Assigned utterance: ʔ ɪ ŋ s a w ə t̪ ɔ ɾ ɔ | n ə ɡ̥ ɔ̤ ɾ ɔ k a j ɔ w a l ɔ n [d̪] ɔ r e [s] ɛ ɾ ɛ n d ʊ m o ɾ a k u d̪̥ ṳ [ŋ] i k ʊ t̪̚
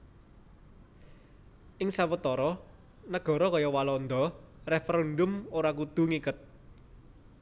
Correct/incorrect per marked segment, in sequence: correct, incorrect: f, correct

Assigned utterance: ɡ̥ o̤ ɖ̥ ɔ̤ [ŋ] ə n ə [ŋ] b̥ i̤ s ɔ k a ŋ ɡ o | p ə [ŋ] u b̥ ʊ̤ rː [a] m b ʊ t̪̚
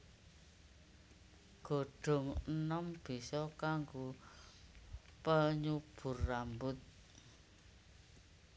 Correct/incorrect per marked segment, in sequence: correct, incorrect: m, incorrect: ɲ, correct

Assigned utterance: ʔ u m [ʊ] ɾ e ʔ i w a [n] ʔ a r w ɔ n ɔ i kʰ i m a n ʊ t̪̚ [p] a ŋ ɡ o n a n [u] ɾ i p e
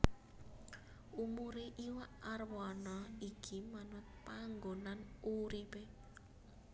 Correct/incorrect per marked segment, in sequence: incorrect: u, incorrect: none, correct, correct

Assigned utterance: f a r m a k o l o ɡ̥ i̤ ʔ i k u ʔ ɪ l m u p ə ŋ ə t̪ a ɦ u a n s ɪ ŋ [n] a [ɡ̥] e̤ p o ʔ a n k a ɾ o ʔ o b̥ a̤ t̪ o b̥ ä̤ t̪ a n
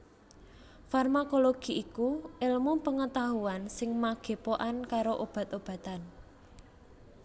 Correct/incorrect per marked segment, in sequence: incorrect: m, correct

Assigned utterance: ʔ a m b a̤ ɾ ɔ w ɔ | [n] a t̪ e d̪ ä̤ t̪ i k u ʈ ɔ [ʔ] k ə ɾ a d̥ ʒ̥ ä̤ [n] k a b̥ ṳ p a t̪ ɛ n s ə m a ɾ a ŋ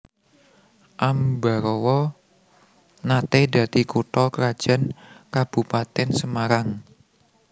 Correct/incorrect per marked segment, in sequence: correct, incorrect: none, correct

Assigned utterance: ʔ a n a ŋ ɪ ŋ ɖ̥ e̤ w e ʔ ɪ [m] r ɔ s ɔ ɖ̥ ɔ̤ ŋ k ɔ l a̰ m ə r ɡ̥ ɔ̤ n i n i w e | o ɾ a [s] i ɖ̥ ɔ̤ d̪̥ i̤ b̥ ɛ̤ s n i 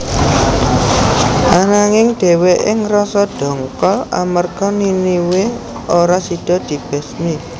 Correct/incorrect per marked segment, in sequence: incorrect: ŋ, correct

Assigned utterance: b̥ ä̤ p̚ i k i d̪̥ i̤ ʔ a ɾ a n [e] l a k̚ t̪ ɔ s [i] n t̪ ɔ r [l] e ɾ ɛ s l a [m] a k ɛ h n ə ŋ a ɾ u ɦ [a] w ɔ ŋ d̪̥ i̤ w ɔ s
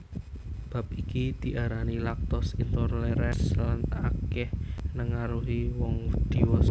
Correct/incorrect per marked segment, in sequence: incorrect: i, correct, correct, incorrect: n, incorrect: i

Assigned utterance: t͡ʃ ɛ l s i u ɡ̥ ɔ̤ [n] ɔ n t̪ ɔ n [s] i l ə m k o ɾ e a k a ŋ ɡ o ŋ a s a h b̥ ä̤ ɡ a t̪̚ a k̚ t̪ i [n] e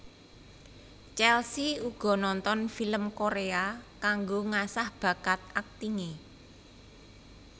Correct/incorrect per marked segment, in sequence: correct, incorrect: f, incorrect: ŋ

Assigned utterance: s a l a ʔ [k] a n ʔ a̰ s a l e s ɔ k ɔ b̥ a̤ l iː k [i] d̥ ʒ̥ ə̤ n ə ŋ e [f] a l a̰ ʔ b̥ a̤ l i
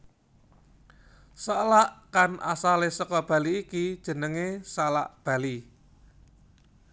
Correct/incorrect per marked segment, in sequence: correct, correct, incorrect: s

